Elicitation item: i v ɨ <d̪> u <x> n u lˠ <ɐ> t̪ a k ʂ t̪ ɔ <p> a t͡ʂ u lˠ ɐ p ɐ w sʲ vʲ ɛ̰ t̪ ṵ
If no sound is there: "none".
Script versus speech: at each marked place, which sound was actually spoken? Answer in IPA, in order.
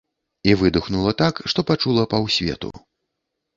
d̪, x, ɐ, p

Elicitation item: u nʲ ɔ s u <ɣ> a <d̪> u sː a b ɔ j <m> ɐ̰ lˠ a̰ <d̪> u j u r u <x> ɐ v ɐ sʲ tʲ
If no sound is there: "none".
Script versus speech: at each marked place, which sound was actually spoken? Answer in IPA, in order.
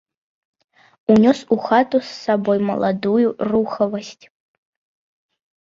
x, t̪, m, d̪, x

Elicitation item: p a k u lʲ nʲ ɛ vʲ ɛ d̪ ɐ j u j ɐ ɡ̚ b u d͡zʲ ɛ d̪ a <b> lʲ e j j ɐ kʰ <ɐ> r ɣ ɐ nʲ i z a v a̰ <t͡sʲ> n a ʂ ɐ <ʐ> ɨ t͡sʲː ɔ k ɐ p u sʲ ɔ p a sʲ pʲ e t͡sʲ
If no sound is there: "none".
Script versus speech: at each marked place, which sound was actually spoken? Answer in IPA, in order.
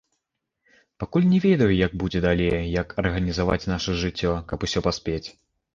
none, ɐ, t͡sʲ, ʐ

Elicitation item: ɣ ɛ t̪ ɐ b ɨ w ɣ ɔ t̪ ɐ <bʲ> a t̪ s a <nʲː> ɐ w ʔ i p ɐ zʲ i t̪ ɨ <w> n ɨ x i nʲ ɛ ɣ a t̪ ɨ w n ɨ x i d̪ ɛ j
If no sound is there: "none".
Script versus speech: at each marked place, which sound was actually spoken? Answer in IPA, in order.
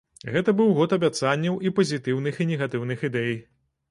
bʲ, nʲː, w

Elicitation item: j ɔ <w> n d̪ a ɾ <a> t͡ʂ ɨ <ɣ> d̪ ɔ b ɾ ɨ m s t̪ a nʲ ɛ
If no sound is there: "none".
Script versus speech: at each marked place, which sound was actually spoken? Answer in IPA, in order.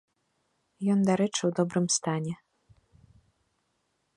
none, ɛ, w

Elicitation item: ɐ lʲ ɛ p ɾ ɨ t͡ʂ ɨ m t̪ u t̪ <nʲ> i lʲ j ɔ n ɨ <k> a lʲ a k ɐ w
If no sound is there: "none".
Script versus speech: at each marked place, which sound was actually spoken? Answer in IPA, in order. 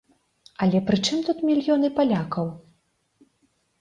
mʲ, p

